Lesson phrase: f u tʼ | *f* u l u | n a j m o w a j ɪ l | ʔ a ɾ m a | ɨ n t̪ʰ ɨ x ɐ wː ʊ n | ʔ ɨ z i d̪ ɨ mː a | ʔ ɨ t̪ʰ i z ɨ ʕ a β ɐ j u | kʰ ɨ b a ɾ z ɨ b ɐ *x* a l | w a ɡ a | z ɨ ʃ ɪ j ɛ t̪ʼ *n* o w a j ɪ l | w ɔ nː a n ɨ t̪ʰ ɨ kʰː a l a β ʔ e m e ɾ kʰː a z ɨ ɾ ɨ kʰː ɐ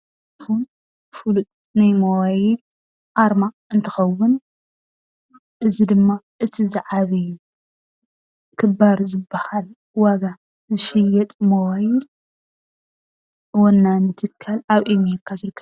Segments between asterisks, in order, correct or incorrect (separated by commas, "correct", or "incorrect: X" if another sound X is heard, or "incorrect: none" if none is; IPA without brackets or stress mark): correct, incorrect: h, incorrect: m